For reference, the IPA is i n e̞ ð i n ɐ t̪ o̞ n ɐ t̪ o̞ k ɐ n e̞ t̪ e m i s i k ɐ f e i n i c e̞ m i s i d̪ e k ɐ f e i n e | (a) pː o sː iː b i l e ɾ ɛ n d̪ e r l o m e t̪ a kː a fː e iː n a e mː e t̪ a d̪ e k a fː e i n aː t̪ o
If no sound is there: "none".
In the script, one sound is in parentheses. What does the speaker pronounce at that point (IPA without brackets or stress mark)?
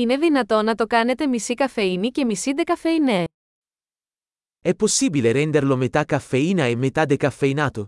ɛ